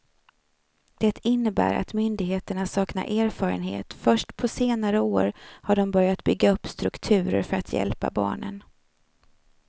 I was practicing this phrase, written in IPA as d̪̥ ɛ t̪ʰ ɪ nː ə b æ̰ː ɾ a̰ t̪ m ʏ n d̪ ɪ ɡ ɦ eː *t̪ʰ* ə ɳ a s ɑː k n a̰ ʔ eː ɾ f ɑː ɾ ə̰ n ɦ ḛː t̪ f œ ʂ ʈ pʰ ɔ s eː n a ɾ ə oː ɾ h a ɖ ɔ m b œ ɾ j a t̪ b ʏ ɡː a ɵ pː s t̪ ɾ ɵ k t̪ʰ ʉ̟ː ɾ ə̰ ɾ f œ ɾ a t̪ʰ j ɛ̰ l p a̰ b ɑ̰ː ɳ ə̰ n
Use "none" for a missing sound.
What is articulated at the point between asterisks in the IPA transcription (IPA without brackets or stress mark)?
t̪